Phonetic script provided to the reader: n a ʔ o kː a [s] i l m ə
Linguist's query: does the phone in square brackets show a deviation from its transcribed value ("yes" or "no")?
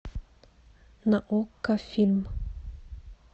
yes